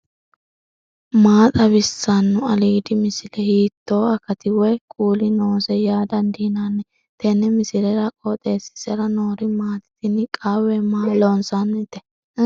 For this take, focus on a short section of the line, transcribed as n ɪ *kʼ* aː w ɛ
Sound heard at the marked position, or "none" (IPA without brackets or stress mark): kʼ